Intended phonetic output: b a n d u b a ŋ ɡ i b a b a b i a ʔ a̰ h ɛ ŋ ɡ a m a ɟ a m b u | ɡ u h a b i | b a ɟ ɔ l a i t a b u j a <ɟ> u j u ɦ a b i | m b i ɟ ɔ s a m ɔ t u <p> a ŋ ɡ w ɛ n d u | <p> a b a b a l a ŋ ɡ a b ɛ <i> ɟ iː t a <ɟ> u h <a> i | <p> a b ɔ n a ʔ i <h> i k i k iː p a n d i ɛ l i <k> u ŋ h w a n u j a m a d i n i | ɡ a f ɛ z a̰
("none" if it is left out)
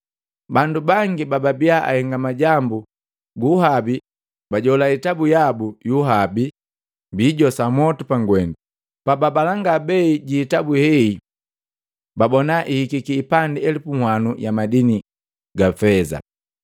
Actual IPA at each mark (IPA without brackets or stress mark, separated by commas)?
b, p, p, i, b, ɛ, b, h, p